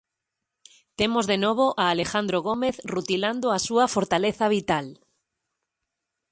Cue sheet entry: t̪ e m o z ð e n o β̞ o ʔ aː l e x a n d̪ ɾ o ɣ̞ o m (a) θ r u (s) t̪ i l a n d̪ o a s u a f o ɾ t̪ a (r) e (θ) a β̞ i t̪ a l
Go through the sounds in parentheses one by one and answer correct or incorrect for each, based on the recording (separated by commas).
incorrect, incorrect, incorrect, correct